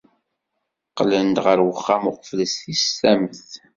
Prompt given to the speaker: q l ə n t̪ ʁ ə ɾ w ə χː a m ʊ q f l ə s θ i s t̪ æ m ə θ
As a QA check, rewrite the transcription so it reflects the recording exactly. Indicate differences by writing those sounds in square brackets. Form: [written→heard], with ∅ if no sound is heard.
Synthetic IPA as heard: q l ə n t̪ ʁ ə ɾ w ə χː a m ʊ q f l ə s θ i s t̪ æ m ə θ